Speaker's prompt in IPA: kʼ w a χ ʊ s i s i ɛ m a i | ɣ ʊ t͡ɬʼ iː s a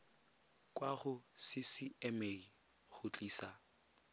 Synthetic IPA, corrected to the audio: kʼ w a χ ʊ s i s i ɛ m e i | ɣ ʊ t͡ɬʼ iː s a

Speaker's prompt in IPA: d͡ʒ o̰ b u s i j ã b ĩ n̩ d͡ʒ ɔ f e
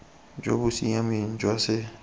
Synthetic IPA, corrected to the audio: d͡ʒ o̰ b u s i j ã m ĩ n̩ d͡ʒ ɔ s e

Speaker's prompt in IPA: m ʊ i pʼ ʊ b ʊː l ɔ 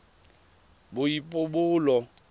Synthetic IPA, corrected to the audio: b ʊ i pʼ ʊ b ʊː l ɔ

